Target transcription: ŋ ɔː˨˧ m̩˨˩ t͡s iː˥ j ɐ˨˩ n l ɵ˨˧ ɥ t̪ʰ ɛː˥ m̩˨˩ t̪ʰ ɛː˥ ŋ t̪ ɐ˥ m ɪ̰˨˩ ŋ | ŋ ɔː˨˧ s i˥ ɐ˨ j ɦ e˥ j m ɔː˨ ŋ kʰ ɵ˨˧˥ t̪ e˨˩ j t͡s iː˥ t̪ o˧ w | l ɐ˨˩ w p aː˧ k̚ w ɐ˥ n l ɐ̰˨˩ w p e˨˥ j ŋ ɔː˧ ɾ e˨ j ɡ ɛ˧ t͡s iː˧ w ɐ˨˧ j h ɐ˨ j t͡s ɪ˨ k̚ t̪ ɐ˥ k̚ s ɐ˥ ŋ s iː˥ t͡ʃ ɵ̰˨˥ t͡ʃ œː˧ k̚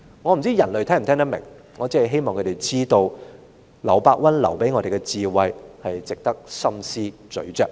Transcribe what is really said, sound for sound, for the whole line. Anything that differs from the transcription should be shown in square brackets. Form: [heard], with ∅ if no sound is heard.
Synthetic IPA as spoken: ŋ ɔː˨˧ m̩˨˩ t͡s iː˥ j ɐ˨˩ n l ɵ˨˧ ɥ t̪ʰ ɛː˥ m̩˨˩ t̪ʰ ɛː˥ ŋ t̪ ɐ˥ m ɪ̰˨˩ ŋ | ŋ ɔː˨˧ [t͡s] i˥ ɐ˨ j ɦ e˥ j m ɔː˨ ŋ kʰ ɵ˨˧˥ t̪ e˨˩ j t͡s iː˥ t̪ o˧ w | l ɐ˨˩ w p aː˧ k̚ w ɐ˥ n l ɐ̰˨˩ w p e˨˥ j ŋ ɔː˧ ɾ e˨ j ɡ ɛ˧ t͡s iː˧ w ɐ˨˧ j h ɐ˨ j t͡s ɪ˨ k̚ t̪ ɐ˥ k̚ s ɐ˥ [m] s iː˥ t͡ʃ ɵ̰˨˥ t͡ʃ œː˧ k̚